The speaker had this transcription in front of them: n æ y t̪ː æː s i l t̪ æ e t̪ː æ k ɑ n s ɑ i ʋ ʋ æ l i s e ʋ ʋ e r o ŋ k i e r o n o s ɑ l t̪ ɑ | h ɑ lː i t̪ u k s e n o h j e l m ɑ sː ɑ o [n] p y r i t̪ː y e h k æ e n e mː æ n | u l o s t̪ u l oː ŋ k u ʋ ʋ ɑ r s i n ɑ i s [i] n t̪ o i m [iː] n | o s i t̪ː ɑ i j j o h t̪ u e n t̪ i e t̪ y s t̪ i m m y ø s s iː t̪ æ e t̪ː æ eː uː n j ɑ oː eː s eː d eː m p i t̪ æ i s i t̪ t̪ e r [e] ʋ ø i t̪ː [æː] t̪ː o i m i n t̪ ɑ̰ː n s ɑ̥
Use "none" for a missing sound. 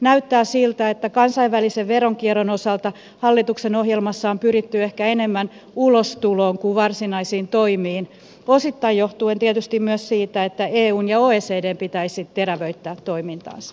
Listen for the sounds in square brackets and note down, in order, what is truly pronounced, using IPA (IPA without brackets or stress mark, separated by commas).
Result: m, iː, iː, æ, æː